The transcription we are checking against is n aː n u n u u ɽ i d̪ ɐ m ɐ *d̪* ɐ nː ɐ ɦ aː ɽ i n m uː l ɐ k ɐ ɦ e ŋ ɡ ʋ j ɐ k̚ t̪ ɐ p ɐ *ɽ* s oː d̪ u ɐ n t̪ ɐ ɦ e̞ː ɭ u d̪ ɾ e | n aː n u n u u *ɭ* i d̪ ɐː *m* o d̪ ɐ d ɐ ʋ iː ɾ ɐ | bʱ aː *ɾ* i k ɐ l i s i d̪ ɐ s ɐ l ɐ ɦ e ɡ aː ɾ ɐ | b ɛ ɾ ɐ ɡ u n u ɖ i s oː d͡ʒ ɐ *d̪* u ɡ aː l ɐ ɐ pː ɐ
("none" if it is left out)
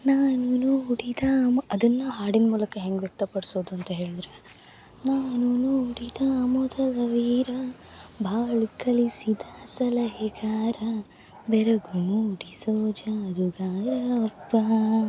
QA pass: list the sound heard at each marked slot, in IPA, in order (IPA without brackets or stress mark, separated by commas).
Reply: d̪, ɽ, ɽ, m, ɭ, d̪